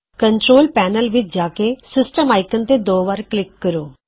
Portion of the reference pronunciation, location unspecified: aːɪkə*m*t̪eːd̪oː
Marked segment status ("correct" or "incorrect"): incorrect